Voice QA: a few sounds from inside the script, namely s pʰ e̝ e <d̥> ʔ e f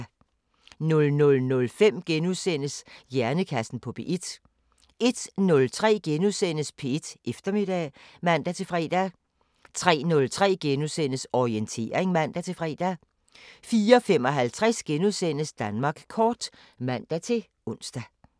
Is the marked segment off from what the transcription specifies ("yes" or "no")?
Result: no